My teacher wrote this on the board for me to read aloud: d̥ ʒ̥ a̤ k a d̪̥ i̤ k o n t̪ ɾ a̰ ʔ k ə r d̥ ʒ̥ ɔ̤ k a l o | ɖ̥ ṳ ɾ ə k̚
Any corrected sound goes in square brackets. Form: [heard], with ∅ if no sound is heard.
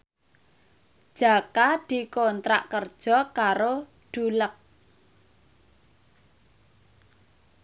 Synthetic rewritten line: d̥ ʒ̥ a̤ k a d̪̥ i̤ k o n t̪ ɾ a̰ ʔ k ə r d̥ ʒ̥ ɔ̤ k a [ɾ] o | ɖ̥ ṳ [l] ə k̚